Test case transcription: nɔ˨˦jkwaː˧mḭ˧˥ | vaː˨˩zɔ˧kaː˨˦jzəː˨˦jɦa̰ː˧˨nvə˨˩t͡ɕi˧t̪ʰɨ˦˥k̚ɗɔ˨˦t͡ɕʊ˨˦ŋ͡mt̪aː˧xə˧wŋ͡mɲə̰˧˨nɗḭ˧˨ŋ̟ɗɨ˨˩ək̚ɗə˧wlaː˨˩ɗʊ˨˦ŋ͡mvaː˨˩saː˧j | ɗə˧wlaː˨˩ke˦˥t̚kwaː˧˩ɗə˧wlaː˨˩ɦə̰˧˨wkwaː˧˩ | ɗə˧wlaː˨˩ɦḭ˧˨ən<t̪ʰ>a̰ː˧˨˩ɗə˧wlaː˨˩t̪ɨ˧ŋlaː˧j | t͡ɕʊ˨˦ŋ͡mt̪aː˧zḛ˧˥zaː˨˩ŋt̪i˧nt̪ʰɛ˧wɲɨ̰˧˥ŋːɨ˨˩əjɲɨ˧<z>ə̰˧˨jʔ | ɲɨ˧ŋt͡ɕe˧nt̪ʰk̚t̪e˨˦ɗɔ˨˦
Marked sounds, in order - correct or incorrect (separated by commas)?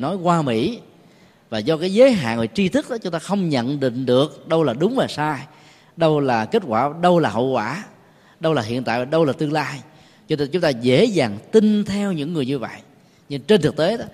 incorrect, incorrect